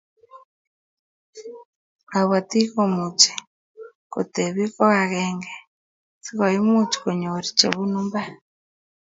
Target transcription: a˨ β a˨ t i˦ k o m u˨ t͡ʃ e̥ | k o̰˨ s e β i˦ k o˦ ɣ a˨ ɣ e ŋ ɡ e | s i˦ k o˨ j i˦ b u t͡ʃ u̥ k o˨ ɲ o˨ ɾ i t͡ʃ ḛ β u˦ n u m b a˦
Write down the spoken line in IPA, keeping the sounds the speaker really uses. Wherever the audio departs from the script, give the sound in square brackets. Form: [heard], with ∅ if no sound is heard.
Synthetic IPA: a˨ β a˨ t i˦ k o m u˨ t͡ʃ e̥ | k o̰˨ [t] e β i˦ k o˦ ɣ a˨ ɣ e ŋ ɡ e | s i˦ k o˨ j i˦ [m] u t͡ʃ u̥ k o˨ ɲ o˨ ɾ i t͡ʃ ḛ β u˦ n u m b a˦